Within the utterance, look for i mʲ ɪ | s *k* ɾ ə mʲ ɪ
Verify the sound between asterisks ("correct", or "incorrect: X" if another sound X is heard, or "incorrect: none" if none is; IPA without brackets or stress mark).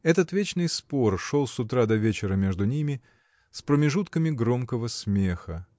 incorrect: p